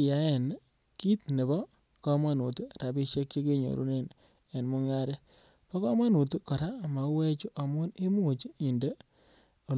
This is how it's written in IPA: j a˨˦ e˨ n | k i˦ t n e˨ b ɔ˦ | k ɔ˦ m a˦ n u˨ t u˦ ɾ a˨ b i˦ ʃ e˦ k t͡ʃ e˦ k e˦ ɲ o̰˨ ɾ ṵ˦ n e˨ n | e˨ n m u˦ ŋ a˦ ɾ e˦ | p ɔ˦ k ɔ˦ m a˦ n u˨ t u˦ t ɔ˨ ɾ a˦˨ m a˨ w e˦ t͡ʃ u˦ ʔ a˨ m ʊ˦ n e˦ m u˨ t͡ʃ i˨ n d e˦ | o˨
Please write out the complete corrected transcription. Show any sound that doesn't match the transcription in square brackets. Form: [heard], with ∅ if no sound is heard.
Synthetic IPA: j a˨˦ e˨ n | k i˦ t n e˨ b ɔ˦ | k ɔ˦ m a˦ n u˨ t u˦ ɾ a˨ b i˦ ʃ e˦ k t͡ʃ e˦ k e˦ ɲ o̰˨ ɾ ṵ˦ n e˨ n | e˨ n m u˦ ŋ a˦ ɾ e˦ | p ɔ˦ k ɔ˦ m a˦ n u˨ t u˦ [k] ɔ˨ ɾ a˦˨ m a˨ w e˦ t͡ʃ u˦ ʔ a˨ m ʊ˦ n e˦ m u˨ t͡ʃ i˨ n d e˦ | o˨